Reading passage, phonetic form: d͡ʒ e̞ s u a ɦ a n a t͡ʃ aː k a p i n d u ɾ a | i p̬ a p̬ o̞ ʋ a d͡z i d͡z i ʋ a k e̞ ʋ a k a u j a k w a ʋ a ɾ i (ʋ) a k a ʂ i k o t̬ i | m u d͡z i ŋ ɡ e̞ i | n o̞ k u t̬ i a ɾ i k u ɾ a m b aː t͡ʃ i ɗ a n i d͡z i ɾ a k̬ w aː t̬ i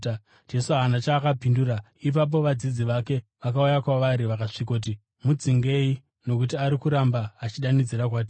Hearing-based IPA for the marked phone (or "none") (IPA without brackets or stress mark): ʋ